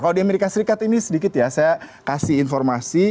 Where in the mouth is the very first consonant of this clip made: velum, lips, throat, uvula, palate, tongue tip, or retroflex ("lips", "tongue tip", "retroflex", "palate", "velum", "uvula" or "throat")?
velum